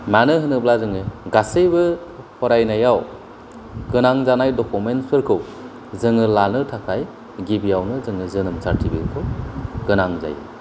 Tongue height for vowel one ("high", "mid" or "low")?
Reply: low